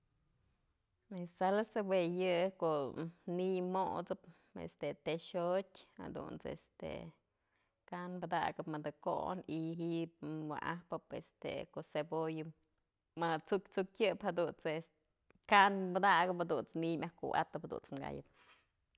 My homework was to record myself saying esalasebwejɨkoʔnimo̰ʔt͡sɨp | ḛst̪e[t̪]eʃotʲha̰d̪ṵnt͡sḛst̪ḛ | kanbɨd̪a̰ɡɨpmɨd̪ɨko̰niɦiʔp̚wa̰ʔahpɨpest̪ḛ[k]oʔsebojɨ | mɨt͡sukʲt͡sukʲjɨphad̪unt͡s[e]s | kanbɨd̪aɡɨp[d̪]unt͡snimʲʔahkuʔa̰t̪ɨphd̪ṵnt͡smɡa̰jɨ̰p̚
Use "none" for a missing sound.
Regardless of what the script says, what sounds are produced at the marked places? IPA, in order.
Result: t̪, k, e, d̪

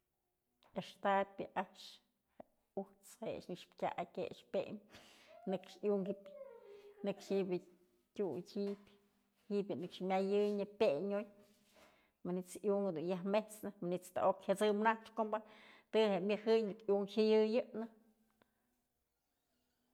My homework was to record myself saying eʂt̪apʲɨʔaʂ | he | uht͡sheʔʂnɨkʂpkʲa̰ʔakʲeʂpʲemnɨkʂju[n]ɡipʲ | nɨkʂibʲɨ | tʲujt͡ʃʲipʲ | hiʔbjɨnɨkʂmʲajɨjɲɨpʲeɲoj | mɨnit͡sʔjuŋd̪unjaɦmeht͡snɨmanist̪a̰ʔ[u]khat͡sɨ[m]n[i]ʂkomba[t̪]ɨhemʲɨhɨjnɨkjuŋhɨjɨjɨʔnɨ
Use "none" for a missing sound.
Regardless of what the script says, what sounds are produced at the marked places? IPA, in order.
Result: ŋ, o, m, a, t̪

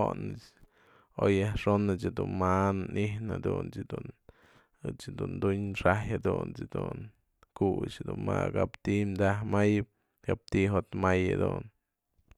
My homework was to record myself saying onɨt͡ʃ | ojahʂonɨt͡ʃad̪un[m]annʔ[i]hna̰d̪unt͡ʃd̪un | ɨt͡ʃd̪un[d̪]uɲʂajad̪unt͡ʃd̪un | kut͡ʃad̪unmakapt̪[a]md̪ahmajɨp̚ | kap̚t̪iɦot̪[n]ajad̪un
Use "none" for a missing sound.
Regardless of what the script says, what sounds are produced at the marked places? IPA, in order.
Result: m, i, d̪, i, m

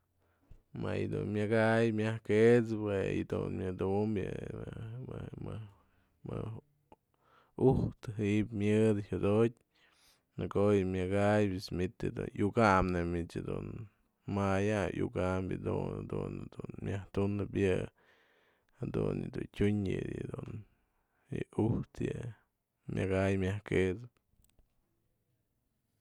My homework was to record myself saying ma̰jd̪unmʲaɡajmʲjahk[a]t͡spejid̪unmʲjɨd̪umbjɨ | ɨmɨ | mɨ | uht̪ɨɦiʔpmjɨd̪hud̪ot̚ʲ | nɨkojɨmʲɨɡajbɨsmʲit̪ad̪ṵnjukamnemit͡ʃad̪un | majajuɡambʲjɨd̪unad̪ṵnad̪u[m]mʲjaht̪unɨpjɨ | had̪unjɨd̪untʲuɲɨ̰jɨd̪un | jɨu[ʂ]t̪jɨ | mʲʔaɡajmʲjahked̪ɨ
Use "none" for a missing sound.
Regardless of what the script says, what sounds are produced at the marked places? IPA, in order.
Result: e, n, h

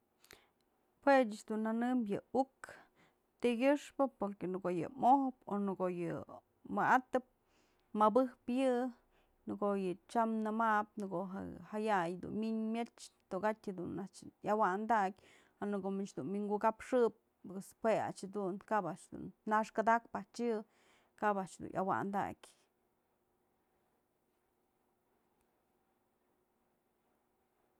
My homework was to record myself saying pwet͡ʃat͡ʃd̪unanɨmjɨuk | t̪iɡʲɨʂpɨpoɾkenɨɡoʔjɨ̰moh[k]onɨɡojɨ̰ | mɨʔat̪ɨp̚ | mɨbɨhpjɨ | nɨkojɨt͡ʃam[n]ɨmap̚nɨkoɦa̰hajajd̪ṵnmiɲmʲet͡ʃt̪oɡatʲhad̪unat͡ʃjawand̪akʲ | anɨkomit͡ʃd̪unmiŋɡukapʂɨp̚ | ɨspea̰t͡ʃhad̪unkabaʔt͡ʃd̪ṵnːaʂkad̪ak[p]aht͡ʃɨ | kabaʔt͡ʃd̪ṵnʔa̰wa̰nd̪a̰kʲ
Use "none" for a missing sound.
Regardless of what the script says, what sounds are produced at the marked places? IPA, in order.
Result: p, n, p

